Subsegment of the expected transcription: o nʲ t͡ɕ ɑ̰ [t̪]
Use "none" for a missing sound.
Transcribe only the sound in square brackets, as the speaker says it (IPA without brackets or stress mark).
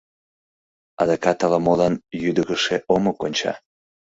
none